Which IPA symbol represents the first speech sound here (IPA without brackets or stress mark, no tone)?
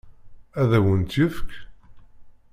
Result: æ